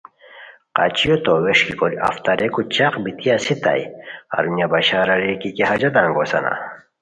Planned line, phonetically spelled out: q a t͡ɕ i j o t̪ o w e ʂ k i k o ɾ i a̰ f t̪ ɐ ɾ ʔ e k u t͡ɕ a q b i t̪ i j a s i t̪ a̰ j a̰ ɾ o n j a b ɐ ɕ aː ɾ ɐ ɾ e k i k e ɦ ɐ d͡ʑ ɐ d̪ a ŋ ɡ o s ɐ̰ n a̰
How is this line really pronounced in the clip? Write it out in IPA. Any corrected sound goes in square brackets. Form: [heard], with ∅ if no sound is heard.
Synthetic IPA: q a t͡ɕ i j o t̪ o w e ʂ k i k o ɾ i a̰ f t̪ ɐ ɾ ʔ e k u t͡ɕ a q b i t̪ i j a s i t̪ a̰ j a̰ ɾ [u] n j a b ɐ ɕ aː ɾ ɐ ɾ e k i k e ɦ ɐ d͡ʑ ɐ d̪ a ŋ ɡ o s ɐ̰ n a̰